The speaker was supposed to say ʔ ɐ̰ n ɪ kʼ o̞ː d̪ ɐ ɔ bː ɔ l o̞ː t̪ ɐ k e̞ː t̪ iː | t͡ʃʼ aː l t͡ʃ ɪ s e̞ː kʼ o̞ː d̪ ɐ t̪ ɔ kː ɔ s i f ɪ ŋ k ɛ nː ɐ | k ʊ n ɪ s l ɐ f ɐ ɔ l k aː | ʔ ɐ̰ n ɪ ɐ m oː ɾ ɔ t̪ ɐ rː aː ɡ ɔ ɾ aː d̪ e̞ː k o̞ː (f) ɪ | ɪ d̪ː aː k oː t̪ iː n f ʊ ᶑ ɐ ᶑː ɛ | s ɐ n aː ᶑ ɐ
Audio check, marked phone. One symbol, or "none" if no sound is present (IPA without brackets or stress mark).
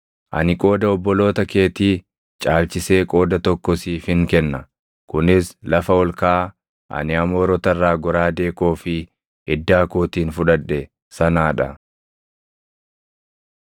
f